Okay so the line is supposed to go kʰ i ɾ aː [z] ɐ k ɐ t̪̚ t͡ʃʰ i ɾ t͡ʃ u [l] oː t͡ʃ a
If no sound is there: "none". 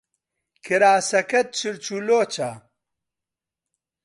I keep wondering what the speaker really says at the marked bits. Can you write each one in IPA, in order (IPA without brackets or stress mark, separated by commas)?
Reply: s, l